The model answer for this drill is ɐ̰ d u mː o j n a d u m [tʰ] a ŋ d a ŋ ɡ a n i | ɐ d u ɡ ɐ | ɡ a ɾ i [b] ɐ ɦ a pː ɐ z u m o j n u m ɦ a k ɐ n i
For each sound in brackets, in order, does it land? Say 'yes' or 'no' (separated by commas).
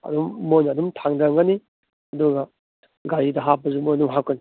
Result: yes, no